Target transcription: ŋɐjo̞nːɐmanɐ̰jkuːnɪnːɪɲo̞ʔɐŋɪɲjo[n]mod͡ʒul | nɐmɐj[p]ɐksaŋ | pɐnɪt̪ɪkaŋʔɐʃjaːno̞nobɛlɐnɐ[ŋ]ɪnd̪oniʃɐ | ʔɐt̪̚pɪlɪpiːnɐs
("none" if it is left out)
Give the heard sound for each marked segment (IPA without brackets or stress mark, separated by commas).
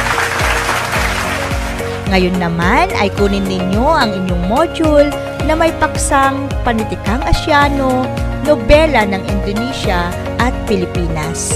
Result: ŋ, p, ŋ